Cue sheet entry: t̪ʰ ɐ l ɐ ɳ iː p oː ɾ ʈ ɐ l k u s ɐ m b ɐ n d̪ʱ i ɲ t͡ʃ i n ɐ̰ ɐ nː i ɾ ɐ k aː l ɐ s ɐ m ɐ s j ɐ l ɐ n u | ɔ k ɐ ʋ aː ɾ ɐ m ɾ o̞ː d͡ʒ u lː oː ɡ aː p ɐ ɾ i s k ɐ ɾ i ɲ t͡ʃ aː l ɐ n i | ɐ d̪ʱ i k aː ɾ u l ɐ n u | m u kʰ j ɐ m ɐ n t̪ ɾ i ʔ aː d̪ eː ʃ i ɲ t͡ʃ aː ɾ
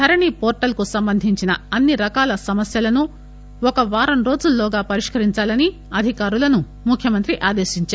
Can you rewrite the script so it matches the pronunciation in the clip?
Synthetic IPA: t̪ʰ ɐ ɾ ɐ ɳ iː p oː ɾ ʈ ɐ l k u s ɐ m b ɐ n d̪ʱ i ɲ t͡ʃ i n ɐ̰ ɐ nː i ɾ ɐ k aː l ɐ s ɐ m ɐ s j ɐ l ɐ n u | ɔ k ɐ ʋ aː ɾ ɐ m ɾ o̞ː d͡ʒ u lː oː ɡ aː p ɐ ɾ i ʂ k ɐ ɾ i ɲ t͡ʃ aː l ɐ n i | ɐ d̪ʱ i k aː ɾ u l ɐ n u | m u kʰ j ɐ m ɐ n t̪ ɾ i ʔ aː d̪ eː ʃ i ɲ t͡ʃ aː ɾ